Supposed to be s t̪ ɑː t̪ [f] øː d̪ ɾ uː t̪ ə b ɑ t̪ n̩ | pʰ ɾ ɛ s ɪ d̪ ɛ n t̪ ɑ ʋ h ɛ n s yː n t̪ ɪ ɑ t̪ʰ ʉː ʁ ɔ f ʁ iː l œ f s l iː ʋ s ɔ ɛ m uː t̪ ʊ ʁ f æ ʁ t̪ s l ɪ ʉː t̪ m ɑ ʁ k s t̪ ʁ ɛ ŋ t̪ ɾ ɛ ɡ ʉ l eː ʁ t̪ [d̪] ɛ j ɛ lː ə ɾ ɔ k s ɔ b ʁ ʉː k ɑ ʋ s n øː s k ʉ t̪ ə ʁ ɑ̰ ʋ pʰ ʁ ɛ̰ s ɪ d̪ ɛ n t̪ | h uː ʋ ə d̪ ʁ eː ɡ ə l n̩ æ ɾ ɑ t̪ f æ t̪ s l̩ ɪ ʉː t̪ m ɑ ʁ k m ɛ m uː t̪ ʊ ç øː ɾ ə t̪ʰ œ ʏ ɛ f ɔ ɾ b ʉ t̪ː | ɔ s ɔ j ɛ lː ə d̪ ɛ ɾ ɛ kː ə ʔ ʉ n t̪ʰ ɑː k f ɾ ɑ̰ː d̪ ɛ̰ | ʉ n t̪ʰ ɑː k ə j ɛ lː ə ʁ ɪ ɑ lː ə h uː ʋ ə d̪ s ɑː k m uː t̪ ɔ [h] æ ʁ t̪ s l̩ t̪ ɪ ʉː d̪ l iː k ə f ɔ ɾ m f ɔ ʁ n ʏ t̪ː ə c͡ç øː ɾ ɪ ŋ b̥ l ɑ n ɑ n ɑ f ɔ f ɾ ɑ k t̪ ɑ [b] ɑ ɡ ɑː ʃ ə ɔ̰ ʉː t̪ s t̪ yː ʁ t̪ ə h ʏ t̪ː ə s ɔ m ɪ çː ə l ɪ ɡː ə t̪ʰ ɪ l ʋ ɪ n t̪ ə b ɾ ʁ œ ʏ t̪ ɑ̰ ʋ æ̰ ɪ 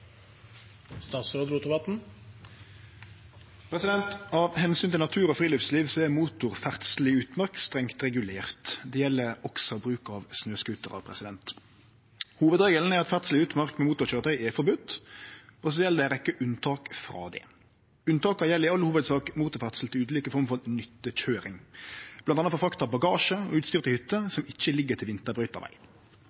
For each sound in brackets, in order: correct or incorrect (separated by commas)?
incorrect, correct, incorrect, correct